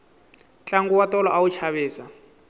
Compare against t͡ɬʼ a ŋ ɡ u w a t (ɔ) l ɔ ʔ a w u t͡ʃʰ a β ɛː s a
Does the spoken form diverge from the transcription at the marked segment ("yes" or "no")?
no